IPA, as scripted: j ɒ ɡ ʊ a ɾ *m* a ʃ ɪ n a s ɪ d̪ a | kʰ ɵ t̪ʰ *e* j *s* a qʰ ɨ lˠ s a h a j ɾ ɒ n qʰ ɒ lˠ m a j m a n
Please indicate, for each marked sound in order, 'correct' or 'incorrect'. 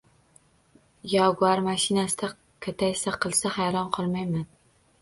correct, incorrect: a, correct

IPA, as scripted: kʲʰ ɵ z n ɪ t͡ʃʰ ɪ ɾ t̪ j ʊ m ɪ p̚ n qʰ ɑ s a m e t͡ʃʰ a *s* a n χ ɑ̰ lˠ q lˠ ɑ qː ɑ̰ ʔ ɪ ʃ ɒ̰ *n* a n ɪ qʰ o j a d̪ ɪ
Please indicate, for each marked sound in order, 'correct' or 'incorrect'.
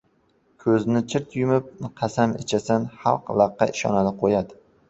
correct, correct

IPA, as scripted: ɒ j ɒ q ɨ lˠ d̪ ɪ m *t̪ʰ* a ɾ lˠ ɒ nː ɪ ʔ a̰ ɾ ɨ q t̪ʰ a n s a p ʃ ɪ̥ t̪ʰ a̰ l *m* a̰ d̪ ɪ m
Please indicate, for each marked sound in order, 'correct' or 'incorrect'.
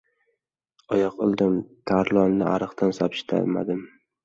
correct, correct

